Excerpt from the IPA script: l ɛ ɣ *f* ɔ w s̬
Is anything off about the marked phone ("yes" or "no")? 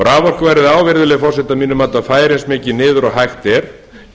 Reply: no